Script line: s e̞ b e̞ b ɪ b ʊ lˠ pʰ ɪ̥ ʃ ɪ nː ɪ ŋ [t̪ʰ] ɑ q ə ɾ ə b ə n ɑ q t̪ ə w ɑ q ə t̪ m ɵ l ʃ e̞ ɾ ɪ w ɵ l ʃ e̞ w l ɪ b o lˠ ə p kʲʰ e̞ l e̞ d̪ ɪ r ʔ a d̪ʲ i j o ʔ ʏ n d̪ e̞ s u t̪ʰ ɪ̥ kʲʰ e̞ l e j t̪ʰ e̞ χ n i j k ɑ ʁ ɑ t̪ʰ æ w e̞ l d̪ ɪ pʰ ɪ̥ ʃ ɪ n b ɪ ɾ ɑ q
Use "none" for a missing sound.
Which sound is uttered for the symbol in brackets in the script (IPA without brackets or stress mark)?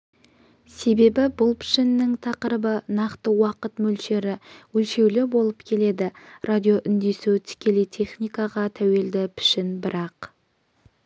t̪ʰ